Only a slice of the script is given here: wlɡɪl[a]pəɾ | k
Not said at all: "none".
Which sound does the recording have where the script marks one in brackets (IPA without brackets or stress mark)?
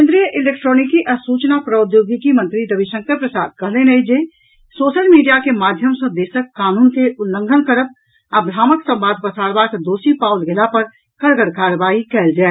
a